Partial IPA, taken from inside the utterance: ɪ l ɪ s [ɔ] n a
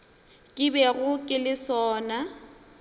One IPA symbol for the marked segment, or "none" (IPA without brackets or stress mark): ɔː